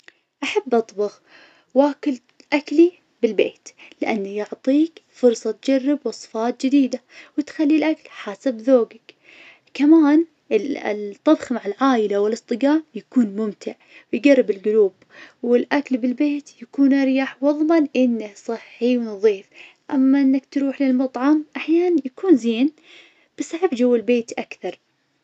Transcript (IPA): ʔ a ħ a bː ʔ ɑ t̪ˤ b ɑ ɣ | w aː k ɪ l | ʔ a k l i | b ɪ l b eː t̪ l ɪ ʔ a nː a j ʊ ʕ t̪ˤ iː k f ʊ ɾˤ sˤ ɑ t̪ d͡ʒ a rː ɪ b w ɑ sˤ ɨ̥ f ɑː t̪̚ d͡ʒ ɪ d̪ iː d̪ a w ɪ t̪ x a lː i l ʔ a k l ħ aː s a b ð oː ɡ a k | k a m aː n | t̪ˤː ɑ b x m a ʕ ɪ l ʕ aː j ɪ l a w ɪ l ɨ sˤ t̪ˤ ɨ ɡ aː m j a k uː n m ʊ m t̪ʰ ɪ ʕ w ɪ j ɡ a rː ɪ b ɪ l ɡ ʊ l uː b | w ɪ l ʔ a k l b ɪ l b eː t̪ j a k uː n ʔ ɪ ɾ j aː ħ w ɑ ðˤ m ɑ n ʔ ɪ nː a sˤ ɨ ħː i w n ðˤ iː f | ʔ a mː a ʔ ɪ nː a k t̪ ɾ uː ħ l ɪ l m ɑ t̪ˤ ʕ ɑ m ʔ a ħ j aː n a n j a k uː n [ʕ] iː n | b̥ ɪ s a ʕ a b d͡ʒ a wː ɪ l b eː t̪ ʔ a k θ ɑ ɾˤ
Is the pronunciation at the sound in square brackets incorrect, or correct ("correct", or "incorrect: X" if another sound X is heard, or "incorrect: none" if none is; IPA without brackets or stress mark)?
incorrect: z